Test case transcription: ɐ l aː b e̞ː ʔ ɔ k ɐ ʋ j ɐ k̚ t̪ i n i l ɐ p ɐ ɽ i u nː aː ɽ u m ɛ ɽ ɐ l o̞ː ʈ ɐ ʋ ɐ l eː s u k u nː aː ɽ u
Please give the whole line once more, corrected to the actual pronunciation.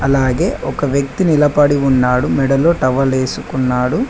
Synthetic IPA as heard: ɐ l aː ɡ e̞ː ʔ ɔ k ɐ ʋ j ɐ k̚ t̪ i n i l ɐ p ɐ ɽ i u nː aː ɽ u m ɛ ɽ ɐ l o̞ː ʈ ɐ ʋ ɐ l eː s u k u nː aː ɽ u